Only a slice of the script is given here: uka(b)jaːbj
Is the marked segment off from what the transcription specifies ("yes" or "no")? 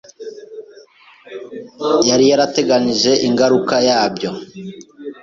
yes